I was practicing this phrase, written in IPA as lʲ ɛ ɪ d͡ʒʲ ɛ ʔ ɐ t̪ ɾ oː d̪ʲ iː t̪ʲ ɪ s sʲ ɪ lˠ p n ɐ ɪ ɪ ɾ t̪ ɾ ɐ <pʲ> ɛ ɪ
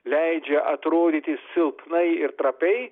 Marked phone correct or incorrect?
correct